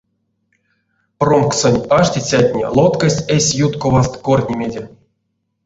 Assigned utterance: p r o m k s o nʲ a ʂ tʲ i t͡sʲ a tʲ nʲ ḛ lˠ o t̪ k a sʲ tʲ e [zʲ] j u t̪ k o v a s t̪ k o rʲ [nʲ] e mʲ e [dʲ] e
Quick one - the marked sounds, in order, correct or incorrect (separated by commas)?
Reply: incorrect, correct, correct